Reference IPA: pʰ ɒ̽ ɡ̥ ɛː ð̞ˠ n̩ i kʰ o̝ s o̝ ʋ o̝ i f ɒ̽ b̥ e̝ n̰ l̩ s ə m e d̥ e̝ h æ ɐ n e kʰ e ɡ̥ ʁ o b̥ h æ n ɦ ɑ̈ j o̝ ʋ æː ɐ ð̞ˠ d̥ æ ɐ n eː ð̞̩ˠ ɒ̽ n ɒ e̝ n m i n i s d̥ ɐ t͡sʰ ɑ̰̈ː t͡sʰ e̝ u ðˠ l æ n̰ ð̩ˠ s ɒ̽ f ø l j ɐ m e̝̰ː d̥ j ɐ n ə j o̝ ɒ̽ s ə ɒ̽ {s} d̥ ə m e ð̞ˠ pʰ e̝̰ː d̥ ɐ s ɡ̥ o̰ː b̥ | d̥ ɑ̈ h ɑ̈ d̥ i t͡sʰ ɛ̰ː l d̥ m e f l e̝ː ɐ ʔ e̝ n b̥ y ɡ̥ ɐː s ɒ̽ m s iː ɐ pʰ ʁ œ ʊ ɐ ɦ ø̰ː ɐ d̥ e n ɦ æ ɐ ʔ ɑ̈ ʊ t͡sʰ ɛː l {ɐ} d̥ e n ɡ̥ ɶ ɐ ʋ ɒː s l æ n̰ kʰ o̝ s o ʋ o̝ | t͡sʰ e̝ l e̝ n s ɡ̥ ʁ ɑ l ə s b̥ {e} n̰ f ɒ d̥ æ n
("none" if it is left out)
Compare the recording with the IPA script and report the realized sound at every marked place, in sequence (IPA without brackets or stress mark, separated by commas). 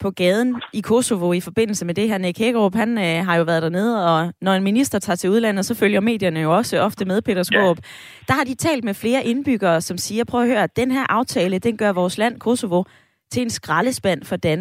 f, ə, æ